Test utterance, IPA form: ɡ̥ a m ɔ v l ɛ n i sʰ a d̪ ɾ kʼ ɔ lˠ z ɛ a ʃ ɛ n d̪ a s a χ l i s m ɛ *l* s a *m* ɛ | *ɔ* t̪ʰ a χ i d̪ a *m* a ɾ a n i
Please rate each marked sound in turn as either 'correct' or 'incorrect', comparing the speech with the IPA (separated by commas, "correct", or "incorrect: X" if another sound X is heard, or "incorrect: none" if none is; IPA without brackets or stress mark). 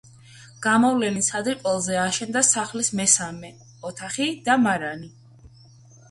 incorrect: none, correct, correct, correct